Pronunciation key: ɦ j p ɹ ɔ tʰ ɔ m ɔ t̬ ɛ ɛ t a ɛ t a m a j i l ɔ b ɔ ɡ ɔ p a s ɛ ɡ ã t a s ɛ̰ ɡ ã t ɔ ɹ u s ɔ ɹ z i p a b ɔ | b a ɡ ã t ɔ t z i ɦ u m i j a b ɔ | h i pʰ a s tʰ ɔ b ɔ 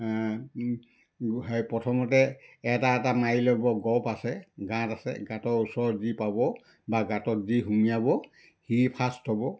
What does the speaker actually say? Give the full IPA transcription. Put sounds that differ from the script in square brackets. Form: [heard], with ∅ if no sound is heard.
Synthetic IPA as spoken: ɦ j p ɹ ɔ tʰ ɔ m ɔ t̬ ɛ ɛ t a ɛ t a m a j i l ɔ b ɔ ɡ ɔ p a s ɛ ɡ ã t a s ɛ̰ ɡ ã t ɔ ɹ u s ɔ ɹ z i p a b ɔ | b a ɡ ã t ɔ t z i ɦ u m i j a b ɔ | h i pʰ a s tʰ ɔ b ɔ